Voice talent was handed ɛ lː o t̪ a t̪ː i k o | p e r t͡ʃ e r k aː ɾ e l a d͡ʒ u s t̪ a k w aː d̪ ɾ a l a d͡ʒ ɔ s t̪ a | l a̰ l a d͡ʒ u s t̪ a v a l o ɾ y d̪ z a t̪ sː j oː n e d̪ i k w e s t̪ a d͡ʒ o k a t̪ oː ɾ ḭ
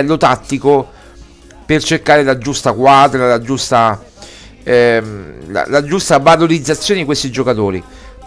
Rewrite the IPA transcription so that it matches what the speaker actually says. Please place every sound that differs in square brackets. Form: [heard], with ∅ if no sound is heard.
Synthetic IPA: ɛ lː o t̪ a t̪ː i k o | p e r t͡ʃ e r k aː ɾ e l a d͡ʒ u s t̪ a k w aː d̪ ɾ a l a d͡ʒ [u] s t̪ a | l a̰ l a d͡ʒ u s t̪ a v a l o ɾ [i] d̪ z a t̪ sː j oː n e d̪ i k w e s t̪ [i] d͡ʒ o k a t̪ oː ɾ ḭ